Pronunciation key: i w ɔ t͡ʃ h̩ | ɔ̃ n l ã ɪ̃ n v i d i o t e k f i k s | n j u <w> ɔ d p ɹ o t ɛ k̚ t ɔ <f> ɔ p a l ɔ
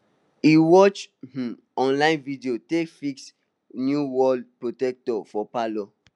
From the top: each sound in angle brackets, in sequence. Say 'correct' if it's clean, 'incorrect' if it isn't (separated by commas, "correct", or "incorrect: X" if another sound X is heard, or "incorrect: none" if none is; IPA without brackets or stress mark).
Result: correct, correct